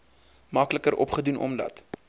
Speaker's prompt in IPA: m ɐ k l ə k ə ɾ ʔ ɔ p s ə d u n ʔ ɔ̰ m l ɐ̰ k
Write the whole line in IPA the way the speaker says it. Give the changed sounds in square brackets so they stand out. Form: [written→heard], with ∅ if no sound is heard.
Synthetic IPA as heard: m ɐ k l ə k ə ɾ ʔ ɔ p [s→χ] ə d u n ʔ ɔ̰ m l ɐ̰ [k→t]